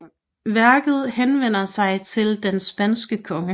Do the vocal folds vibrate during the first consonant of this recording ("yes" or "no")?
yes